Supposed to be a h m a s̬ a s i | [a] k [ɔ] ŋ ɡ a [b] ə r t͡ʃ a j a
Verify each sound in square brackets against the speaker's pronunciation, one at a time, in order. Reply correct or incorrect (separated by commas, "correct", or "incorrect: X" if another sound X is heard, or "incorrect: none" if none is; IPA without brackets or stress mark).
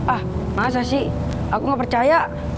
correct, incorrect: u, incorrect: p